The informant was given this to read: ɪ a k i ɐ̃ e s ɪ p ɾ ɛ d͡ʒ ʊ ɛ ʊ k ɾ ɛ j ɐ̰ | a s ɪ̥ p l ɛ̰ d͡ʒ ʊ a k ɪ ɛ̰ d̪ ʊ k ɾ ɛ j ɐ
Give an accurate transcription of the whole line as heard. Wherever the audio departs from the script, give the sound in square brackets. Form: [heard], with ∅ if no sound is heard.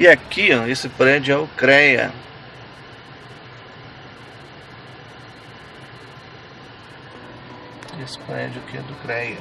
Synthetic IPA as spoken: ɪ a k i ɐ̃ e s ɪ p ɾ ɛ d͡ʒ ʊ ɛ ʊ k ɾ ɛ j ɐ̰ | [e] s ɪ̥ p [ɾ] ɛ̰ d͡ʒ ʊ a k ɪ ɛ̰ d̪ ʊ k ɾ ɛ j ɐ

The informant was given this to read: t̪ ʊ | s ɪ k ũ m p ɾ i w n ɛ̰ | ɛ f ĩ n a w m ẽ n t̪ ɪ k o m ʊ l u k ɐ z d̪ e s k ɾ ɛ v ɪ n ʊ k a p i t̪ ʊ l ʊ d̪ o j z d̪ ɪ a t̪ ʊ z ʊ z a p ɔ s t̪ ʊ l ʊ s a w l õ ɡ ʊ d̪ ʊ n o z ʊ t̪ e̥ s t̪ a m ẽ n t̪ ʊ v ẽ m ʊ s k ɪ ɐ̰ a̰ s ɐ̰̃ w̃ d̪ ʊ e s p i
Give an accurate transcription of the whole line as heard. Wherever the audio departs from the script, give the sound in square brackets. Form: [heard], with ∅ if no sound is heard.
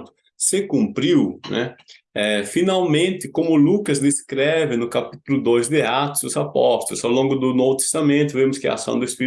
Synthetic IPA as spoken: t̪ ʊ | s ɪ k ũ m p ɾ i w n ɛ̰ | ɛ f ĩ n a w m ẽ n t̪ ɪ k [õ] m ʊ l u k ɐ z d̪ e s k ɾ ɛ v ɪ n ʊ k a p i t̪ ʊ l ʊ d̪ o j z d̪ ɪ a t̪ ʊ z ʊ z a p ɔ s t̪ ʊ l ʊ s a w l õ ɡ ʊ d̪ ʊ n o [v] ʊ t̪ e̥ s t̪ a m ẽ n t̪ ʊ v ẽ m ʊ s k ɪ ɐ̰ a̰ s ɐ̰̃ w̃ d̪ ʊ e s p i

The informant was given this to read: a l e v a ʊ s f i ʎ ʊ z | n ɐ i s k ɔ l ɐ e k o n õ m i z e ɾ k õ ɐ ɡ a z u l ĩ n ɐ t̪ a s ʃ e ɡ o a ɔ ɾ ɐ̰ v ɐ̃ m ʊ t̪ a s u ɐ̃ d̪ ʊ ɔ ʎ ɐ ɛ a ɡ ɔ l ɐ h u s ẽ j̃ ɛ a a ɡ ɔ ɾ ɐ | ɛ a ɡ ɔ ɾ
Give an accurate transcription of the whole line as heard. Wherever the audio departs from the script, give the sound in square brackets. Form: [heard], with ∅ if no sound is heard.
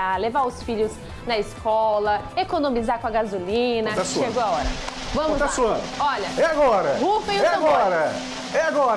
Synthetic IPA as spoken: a l e v a ʊ s f i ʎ ʊ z | n ɐ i s k ɔ l ɐ e k o n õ m i z [a] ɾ k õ ɐ ɡ a z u l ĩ n ɐ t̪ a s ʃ e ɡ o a ɔ ɾ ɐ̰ v ɐ̃ m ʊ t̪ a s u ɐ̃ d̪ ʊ ɔ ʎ ɐ ɛ a ɡ ɔ [ɾ] ɐ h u [f] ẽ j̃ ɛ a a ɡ ɔ ɾ ɐ | ɛ a ɡ ɔ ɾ

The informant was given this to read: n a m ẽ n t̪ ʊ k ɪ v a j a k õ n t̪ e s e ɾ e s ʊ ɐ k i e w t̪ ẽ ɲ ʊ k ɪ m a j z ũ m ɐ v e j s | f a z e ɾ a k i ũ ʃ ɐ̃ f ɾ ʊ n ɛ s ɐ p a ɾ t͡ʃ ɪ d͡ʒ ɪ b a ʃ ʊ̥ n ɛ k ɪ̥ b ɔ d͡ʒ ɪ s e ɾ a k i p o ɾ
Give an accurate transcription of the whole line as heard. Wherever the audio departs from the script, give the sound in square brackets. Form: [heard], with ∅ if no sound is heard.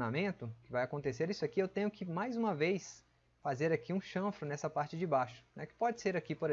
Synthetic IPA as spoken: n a m ẽ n t̪ ʊ k ɪ v a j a k õ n t̪ e s e ɾ [i] s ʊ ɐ k i e w t̪ ẽ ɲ ʊ k ɪ m a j z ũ m ɐ v e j s | f a z e ɾ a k i ũ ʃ ɐ̃ f ɾ ʊ n ɛ s ɐ p a ɾ t͡ʃ ɪ d͡ʒ ɪ b a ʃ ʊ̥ n ɛ k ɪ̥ [p] ɔ d͡ʒ ɪ s e ɾ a k i p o ɾ

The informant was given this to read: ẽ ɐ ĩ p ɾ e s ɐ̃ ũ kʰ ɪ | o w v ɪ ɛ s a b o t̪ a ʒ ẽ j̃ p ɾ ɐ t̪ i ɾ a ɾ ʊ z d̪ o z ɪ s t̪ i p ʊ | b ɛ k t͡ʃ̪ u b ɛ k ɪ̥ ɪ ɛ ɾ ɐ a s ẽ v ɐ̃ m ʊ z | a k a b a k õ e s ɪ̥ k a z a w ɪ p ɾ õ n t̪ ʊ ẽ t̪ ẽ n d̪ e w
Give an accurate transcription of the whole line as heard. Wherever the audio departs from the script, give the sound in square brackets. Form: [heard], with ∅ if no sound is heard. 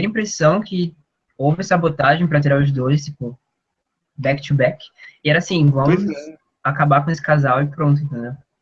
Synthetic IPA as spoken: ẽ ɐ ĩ p ɾ e s ɐ̃ [w̃] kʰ ɪ | o w v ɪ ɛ s a b o t̪ a ʒ ẽ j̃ p ɾ ɐ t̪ i ɾ a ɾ ʊ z d̪ o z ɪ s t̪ i p ʊ | b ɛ k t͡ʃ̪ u b ɛ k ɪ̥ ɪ ɛ ɾ ɐ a s [ĩ] v ɐ̃ m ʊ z | a k a b a k õ e s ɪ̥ k a z a w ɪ p ɾ õ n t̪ ʊ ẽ t̪ ẽ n d̪ e w

